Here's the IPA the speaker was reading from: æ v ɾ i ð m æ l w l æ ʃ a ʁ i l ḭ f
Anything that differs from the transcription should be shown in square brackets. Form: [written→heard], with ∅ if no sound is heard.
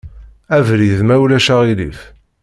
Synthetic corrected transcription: æ v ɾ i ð m æ [l→∅] w l æ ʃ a ʁ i l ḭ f